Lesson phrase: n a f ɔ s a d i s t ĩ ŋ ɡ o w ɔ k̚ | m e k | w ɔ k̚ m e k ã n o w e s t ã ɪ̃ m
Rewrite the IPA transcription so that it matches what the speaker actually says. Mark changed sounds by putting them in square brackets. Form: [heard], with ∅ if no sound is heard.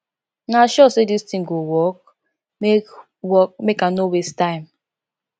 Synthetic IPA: n a [ʃ] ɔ s [e] d i s t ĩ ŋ ɡ o w ɔ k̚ | m e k | w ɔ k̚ m e k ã n o w e s t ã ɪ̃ m